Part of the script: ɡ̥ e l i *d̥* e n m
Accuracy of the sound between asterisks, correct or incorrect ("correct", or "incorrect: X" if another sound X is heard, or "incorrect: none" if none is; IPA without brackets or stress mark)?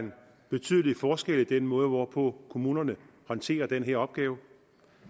correct